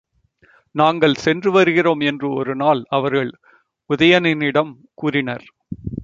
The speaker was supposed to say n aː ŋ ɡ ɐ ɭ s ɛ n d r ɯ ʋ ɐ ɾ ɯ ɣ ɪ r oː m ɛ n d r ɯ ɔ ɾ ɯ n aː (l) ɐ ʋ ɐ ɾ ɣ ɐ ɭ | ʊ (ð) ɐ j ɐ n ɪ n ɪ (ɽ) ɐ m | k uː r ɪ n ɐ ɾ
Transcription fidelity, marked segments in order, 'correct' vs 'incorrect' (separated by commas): correct, correct, correct